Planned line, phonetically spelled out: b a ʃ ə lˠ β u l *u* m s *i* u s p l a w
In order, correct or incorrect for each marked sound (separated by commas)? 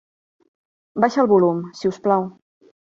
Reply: correct, correct